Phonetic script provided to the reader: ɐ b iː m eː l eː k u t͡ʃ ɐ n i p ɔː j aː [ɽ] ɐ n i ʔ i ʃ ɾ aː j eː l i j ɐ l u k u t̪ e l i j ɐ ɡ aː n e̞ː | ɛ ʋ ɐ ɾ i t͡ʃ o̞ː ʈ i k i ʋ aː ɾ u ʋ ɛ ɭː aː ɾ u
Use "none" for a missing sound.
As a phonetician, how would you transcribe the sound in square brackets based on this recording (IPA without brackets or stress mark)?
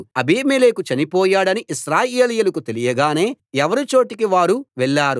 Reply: ɽ